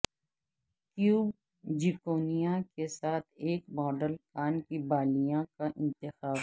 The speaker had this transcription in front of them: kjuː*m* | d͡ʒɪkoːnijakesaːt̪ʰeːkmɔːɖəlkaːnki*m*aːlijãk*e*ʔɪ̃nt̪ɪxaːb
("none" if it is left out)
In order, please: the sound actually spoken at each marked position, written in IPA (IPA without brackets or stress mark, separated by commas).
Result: b, b, a